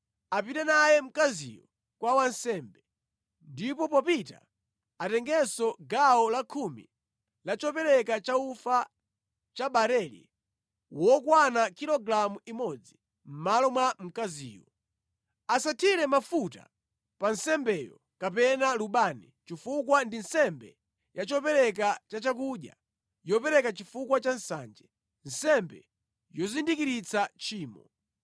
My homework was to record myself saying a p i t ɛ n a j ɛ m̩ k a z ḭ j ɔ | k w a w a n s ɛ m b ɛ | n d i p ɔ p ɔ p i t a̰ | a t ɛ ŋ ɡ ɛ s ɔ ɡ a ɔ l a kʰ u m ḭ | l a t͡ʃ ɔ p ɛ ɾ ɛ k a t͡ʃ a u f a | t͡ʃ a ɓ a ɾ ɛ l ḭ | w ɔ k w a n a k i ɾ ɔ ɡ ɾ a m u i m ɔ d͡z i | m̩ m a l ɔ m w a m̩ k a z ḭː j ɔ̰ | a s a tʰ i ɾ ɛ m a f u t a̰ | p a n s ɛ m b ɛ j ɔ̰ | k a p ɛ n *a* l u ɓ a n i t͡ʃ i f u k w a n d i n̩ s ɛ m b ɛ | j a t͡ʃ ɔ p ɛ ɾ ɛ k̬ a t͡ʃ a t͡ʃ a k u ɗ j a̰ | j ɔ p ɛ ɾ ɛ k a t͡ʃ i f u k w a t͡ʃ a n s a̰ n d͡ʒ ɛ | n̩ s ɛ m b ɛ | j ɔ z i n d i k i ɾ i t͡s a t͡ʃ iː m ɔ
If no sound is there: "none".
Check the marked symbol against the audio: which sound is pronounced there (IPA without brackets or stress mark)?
a